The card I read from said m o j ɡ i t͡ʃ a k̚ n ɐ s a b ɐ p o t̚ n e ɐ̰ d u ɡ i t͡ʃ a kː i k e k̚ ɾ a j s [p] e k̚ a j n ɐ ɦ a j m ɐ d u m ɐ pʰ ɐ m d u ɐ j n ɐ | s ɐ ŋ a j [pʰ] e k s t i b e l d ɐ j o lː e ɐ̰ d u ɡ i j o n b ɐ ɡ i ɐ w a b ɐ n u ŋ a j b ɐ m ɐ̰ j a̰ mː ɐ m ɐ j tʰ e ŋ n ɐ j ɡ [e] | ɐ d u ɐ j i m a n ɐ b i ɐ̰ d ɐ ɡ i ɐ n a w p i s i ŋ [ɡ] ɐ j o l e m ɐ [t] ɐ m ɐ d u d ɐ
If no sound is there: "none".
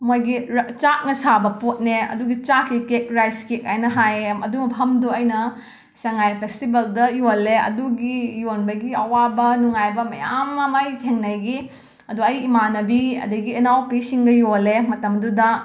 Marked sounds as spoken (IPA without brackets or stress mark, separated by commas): k, pʰ, i, ɡ, t